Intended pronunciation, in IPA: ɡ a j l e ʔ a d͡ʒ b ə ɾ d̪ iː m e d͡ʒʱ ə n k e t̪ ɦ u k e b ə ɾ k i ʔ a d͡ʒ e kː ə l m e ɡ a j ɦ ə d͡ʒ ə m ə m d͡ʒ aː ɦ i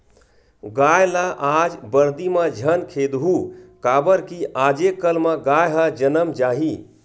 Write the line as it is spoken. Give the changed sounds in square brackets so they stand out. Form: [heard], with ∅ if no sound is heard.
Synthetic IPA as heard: ɡ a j l [a] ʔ a d͡ʒ b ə ɾ d̪ [i] m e d͡ʒʱ ə n [kʰ] e [d̪] ɦ u k [a] b ə ɾ k i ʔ a d͡ʒ e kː ə l m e ɡ a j ɦ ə d͡ʒ ə [n] ə m d͡ʒ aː ɦ i